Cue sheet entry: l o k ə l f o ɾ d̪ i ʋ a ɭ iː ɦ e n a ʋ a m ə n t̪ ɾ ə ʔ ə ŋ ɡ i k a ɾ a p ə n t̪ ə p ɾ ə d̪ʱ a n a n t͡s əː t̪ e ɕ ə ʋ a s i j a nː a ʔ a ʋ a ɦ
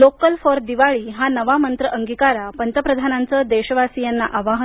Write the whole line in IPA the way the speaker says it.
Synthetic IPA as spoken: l o k ə l f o ɾ d̪ i ʋ a ɭ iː ɦ a n ə ʋ a m ə n t̪ ɾ ə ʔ ə ŋ ɡ i k a ɾ a p ə n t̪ ə p ɾ ə d̪ʱ a n a n t͡s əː d̪ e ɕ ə ʋ a s i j a nː a ʔ a ʋ a ɦ